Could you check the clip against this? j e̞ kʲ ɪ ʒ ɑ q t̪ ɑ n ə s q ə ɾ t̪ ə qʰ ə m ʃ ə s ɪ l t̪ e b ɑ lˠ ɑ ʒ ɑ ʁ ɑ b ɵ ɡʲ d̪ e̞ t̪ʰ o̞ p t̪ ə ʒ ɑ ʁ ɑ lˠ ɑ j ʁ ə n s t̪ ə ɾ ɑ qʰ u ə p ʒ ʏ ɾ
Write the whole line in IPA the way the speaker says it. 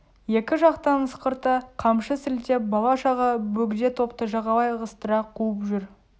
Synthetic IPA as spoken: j e̞ kʲ ɪ ʒ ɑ q t̪ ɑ n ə s q ə ɾ t̪ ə qʰ ɑ m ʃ ə s ɪ l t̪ e b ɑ lˠ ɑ ʃ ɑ ʁ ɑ b ɵ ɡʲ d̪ e̞ t̪ʰ o̞ p t̪ ə ʒ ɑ ʁ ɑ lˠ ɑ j ʁ ə s t̪ ə ɾ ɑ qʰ u ə p ʒ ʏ ɾ